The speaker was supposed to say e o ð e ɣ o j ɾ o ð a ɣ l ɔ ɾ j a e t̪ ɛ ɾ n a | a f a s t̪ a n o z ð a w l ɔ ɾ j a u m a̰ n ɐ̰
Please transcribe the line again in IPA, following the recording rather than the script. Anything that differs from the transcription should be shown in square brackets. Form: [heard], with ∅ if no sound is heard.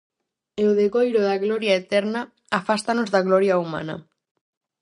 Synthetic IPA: e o ð e ɣ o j ɾ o ð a ɣ l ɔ ɾ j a e t̪ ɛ ɾ n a | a f a s t̪ a n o z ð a [ɣ] l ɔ ɾ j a u m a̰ n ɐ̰